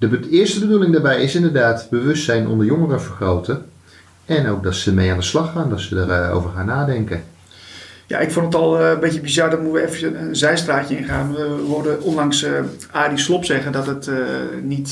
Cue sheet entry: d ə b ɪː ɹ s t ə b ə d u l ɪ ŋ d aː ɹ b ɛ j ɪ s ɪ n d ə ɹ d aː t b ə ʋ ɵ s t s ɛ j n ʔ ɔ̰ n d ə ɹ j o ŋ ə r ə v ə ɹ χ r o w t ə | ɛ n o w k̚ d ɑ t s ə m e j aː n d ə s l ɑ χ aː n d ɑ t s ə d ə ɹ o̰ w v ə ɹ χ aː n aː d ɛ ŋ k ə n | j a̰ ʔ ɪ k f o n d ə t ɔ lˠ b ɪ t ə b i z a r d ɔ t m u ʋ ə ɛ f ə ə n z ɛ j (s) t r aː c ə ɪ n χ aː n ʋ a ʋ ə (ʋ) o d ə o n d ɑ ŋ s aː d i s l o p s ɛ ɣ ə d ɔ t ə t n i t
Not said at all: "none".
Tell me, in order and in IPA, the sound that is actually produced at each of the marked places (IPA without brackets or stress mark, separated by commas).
s, ʋ